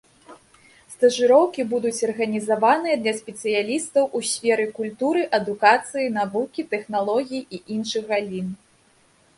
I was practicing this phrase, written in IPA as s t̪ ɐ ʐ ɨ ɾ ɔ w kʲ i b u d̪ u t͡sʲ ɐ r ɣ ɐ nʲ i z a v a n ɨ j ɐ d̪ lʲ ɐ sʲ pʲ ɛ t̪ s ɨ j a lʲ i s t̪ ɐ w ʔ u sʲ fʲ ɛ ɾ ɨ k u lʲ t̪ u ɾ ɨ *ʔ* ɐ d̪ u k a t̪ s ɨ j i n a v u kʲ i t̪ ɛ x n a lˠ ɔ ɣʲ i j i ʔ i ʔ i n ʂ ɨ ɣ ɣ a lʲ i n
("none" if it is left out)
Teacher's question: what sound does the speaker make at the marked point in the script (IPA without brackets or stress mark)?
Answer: ʔ